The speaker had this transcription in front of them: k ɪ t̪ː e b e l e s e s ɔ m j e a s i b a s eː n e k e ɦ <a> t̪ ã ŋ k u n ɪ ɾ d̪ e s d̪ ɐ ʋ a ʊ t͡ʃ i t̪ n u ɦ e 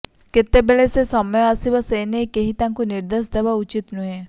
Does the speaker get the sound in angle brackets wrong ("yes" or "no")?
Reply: yes